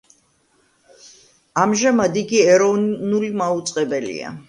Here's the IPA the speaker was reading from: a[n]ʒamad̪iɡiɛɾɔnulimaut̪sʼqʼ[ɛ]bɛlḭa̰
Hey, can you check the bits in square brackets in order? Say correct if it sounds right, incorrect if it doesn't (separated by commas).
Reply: incorrect, correct